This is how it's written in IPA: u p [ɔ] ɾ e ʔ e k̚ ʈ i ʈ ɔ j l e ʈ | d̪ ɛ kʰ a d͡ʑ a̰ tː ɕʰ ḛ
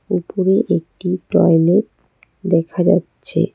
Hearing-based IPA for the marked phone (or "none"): o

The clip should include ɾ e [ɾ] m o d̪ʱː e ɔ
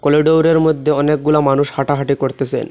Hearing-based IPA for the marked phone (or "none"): ɾ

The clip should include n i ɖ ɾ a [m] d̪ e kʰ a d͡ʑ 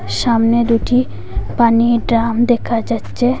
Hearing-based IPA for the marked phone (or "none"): m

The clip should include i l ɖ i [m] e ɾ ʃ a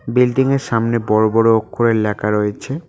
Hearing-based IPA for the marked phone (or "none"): ŋ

